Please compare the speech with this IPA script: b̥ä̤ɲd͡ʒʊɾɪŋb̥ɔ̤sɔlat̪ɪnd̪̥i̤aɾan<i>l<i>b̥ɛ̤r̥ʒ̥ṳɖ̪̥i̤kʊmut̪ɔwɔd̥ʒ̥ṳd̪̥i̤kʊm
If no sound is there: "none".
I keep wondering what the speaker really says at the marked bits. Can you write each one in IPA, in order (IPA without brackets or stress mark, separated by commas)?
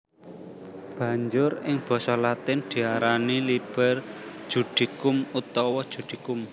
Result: i, i